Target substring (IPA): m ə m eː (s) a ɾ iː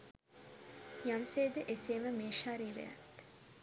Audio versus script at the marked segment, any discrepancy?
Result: yes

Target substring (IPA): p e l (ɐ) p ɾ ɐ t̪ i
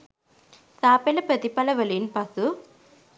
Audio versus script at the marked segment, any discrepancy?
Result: no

